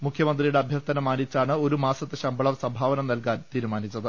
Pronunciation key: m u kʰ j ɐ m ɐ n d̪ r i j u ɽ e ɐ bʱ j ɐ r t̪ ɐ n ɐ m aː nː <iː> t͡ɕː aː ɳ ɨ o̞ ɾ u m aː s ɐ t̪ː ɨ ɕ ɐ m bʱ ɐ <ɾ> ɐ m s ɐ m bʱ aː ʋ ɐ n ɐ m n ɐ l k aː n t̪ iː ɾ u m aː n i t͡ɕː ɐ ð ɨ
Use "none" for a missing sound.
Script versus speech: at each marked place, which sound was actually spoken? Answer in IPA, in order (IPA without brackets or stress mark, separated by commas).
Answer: i, ɭ